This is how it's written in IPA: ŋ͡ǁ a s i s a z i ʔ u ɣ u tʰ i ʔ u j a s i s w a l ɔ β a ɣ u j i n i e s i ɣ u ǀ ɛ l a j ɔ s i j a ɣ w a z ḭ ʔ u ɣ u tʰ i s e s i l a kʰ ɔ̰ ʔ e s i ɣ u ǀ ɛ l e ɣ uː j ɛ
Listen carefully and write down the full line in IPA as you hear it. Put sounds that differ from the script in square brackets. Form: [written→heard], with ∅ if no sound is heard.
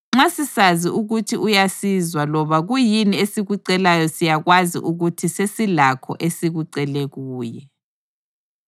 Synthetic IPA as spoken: ŋ͡ǁ a s i s a z i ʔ u ɣ u tʰ i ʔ u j a s i [s→z] w a l ɔ β a ɣ u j i n i e s i ɣ u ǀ ɛ l a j ɔ s i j a ɣ w a z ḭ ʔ u ɣ u tʰ i s e s i l a kʰ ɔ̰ ʔ e s i ɣ u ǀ ɛ l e ɣ uː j ɛ